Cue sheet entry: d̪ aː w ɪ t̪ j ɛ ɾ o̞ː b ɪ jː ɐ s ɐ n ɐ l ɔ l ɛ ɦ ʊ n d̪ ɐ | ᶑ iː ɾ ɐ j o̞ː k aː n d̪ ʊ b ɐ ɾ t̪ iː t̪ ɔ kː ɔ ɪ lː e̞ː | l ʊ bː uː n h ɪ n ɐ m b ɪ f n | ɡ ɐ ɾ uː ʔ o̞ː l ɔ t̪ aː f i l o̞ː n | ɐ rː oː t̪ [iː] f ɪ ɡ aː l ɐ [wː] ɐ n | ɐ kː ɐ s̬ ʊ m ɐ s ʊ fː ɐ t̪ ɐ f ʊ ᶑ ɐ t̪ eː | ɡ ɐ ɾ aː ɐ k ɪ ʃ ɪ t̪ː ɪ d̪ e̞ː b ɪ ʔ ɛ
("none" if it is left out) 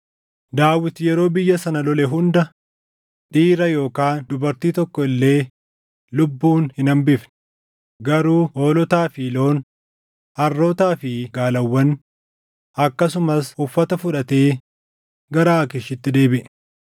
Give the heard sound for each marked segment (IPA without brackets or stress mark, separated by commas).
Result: aː, wː